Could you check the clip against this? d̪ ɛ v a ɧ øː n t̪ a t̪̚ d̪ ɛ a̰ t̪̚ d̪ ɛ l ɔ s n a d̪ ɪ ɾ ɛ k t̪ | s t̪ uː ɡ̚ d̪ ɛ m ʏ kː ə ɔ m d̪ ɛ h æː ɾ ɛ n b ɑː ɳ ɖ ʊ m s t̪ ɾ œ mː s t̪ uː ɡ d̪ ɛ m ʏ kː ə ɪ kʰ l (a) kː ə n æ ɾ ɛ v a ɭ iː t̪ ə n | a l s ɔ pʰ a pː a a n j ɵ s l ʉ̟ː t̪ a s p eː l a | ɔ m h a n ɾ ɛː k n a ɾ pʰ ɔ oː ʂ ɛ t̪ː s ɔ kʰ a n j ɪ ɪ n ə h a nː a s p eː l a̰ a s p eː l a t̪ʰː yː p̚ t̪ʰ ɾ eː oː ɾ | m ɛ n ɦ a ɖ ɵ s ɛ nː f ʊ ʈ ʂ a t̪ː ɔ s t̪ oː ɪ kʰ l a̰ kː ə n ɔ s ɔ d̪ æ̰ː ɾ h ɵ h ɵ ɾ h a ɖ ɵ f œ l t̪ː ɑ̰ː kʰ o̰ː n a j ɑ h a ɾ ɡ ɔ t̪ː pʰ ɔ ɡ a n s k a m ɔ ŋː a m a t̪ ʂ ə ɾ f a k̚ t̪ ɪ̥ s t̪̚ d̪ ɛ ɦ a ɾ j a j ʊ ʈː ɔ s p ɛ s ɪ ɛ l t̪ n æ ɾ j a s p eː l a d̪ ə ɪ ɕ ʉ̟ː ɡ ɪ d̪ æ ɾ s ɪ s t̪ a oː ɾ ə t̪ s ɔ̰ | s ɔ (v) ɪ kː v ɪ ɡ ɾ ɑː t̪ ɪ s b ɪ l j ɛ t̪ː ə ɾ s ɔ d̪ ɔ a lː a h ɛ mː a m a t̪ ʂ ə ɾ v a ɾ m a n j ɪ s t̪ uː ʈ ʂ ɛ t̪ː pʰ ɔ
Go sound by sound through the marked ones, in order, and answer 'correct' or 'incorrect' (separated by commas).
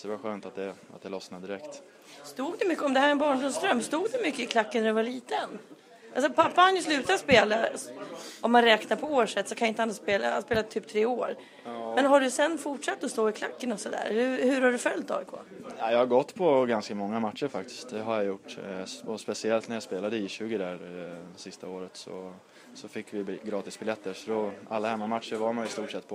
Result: correct, incorrect